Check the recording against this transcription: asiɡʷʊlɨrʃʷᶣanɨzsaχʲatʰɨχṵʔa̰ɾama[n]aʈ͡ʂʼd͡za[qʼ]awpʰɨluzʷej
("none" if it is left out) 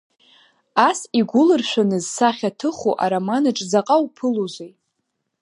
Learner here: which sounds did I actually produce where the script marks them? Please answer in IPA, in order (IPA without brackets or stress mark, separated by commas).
n, qʼ